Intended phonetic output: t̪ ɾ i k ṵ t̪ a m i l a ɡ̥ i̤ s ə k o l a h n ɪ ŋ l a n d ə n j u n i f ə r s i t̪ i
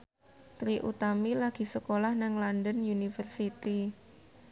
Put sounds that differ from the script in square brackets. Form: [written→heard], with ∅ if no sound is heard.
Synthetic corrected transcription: t̪ ɾ i [k→ʔ] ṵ t̪ a m i l a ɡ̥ i̤ s ə k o l a h n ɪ ŋ l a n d ə n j u n i f ə r s i t̪ i